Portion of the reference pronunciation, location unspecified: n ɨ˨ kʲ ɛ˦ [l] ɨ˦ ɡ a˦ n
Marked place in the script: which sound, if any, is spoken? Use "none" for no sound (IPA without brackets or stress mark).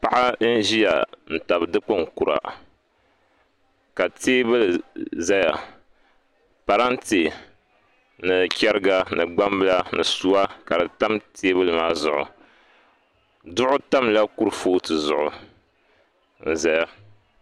ɾ